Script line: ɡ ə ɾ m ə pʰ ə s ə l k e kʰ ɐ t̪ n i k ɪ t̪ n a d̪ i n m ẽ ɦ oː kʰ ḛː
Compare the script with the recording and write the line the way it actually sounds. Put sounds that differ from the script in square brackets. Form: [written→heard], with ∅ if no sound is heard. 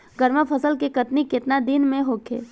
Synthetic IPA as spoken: ɡ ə ɾ m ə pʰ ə s ə l k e [kʰ→k] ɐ t̪ n i k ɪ t̪ n a d̪ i n m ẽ ɦ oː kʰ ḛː